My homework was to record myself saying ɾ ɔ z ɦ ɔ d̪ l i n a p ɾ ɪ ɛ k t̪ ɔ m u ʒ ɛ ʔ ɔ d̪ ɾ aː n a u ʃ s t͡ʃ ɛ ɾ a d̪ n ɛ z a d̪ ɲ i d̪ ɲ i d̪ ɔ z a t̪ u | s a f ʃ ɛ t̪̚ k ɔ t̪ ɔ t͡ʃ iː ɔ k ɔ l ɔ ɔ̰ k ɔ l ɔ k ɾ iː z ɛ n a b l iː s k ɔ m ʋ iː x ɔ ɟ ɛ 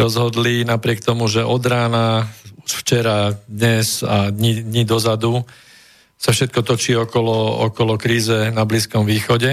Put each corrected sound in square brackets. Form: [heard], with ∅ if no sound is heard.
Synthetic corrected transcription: ɾ ɔ z ɦ ɔ d̪ l i n a p ɾ ɪ ɛ k t̪ ɔ m u ʒ ɛ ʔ ɔ d̪ ɾ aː n a u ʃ [f] t͡ʃ ɛ ɾ a d̪ [ɲ] ɛ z a d̪ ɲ i d̪ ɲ i d̪ ɔ z a [d̪] u | s a f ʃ ɛ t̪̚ k ɔ t̪ ɔ t͡ʃ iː ɔ k ɔ l ɔ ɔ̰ k ɔ l ɔ k ɾ iː z ɛ n a b l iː s k ɔ m ʋ iː x ɔ ɟ ɛ